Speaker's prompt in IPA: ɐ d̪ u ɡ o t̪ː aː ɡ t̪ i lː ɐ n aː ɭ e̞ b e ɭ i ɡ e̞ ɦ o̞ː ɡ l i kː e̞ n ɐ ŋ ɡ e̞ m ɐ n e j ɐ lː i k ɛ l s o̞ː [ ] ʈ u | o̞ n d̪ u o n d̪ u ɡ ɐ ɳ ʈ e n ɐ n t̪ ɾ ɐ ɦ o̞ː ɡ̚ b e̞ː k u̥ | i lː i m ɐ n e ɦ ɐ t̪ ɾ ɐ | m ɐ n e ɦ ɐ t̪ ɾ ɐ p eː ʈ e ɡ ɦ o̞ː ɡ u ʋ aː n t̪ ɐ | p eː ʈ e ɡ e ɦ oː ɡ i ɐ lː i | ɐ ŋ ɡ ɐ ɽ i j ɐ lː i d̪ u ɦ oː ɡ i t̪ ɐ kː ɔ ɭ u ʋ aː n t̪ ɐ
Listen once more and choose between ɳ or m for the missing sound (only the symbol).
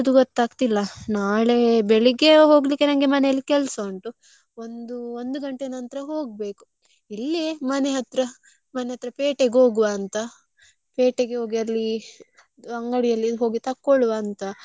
ɳ